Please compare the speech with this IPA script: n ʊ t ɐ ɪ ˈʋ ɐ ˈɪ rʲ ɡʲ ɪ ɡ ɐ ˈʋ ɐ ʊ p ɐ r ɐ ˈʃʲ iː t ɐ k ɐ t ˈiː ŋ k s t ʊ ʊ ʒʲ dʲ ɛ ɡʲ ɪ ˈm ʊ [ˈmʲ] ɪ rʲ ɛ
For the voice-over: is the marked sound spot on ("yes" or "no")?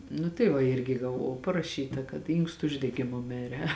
yes